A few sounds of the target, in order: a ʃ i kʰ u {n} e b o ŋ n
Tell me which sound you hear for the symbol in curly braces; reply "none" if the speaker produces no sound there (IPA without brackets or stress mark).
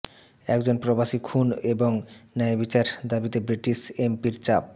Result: n